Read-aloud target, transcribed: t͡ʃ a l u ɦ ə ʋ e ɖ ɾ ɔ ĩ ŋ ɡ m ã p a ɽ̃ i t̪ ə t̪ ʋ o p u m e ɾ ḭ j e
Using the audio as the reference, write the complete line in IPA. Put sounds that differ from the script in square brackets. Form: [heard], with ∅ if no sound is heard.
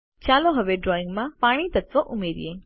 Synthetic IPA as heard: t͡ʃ a l [o] ɦ ə ʋ e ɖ ɾ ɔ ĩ ŋ ɡ m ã p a ɽ̃ i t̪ ə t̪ ʋ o [ʔ] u m e ɾ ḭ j e